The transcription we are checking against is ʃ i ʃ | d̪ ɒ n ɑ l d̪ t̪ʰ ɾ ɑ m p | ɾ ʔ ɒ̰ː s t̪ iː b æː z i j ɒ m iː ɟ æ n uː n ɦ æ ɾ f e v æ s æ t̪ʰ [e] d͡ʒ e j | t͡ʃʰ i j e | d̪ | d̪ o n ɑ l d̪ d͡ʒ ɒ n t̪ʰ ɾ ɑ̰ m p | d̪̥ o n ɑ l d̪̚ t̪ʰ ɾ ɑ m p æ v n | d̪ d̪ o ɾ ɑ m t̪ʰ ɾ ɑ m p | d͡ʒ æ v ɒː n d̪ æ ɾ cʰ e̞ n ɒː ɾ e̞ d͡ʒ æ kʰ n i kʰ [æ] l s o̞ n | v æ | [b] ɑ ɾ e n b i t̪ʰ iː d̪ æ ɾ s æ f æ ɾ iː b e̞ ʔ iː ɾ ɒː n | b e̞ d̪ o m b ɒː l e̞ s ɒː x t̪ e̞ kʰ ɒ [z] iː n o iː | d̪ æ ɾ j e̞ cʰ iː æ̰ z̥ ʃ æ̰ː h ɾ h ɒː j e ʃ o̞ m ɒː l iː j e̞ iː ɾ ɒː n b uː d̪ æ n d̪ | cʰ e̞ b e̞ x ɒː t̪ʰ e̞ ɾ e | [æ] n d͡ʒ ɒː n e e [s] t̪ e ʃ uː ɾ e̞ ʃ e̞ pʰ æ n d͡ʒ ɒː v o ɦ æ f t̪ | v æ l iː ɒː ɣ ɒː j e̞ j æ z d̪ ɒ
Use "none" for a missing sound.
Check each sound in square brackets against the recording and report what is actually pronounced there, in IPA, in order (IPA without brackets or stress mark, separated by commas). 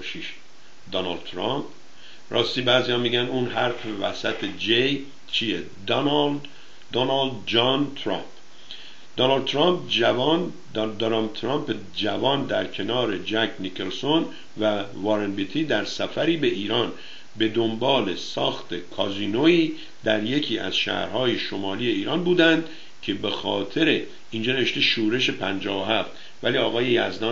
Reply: e, e, v, z, i, ʃ